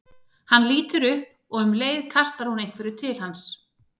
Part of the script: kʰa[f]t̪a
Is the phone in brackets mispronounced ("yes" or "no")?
yes